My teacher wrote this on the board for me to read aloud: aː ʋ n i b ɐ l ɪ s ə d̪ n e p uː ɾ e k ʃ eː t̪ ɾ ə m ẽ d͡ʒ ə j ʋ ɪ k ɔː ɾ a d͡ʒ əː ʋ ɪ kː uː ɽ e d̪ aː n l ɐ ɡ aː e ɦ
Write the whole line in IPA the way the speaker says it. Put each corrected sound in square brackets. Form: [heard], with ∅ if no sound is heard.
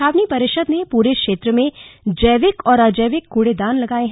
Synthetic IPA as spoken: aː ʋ n i [p] ɐ [ɾ] ɪ [ʃ] ə d̪ n e p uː ɾ e k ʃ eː t̪ ɾ ə m ẽ d͡ʒ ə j ʋ ɪ k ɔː ɾ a d͡ʒ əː ʋ ɪ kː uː ɽ e d̪ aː n l ɐ ɡ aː e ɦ